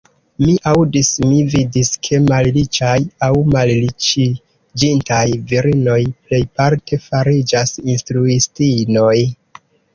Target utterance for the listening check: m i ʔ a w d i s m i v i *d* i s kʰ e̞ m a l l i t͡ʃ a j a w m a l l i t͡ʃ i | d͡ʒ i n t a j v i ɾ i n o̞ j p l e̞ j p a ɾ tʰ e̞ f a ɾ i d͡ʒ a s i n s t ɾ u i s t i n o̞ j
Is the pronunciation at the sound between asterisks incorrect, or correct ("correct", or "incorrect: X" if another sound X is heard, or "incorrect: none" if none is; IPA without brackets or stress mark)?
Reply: correct